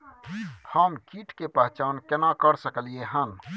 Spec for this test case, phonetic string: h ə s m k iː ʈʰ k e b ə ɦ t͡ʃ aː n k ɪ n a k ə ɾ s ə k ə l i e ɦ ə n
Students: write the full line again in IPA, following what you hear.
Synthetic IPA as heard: h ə m k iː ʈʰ k e p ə ɦ t͡ʃ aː n k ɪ n a k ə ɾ s ə k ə l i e ɦ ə n